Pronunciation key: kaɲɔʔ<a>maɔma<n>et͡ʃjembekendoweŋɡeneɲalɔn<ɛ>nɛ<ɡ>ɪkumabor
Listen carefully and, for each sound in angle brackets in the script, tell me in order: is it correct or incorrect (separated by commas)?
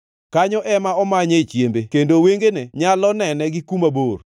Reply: incorrect, incorrect, correct, correct